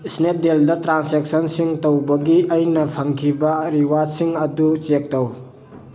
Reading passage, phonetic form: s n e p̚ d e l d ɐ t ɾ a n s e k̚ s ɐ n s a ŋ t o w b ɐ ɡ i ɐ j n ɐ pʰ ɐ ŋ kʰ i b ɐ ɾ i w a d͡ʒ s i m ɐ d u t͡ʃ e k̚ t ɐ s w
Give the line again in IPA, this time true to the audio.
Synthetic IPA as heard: s n e p̚ d e l d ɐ t ɾ a n s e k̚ s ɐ n s i ŋ t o w b ɐ ɡ i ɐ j n ɐ pʰ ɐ ŋ kʰ i b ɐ ɾ i w a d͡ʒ s i ŋ ɐ d u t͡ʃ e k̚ t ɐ w